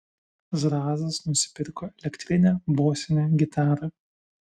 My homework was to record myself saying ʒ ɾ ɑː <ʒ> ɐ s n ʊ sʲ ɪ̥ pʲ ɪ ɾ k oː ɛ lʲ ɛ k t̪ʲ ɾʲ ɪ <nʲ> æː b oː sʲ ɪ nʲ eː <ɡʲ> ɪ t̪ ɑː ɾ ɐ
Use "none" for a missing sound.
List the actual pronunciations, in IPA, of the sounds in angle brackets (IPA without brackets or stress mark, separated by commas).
z, nʲ, ɡʲ